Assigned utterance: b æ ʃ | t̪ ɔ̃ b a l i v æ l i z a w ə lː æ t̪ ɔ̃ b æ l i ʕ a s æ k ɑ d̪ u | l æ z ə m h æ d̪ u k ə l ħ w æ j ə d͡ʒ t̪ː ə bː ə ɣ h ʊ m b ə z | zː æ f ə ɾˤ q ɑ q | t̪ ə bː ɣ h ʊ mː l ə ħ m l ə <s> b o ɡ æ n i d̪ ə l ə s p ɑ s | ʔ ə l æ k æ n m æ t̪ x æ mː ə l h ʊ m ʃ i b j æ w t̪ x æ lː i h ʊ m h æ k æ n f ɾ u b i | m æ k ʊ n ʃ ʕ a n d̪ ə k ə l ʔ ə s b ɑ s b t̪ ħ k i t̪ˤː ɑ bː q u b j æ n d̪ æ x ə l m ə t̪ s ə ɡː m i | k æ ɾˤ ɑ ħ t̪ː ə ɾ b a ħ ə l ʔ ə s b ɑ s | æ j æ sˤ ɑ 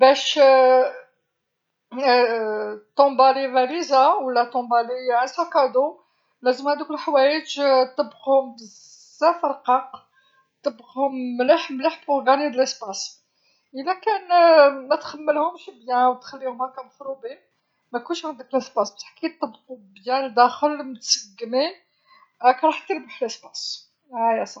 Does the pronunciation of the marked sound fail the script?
yes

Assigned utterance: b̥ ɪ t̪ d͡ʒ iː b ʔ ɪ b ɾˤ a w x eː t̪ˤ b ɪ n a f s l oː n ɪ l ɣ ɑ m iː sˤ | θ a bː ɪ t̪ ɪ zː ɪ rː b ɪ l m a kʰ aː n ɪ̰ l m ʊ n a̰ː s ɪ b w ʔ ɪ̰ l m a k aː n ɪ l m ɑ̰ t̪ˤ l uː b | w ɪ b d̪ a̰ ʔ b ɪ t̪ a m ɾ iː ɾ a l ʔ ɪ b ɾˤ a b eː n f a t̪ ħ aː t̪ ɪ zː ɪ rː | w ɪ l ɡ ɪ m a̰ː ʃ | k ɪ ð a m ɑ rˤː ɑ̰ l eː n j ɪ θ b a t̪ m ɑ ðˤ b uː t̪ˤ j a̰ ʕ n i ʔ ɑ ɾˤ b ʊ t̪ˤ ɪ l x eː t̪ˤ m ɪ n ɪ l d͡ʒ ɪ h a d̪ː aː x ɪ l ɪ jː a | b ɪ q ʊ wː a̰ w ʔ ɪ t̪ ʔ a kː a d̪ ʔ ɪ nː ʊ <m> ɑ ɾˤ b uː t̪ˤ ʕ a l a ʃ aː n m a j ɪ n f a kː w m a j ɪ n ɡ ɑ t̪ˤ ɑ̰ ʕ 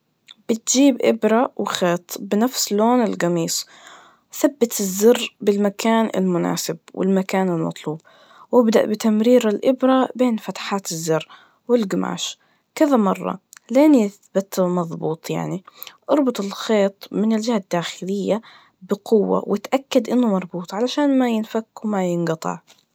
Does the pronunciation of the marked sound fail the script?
no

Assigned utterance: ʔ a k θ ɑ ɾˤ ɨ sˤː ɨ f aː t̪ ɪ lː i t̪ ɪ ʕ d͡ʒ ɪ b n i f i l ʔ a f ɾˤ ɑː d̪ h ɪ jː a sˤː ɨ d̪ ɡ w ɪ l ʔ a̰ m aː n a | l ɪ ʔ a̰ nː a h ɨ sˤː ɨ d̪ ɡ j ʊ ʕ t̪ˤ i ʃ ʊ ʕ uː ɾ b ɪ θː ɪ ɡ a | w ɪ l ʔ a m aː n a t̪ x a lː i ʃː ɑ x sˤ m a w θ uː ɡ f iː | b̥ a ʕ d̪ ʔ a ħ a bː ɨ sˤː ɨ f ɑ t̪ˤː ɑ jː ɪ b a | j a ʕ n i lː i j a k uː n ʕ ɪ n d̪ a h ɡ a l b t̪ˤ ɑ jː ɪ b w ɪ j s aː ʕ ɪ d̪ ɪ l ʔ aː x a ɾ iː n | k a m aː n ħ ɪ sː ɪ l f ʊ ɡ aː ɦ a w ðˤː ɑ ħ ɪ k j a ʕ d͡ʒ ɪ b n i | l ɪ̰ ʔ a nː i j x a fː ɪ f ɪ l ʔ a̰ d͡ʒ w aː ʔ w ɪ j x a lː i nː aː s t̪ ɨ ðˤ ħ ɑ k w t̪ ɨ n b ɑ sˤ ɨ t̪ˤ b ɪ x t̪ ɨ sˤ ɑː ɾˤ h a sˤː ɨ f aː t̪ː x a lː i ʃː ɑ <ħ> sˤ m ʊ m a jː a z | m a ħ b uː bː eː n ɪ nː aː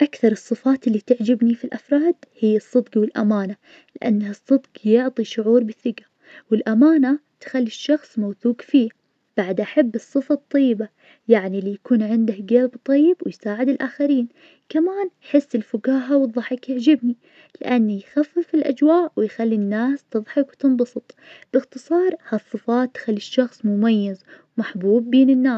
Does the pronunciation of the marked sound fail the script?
yes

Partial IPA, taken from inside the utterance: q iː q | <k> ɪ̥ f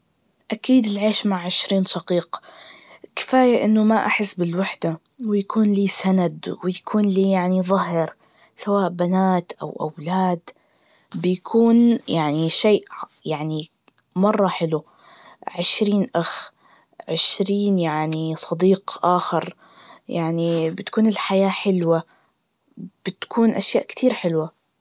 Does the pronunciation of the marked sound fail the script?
no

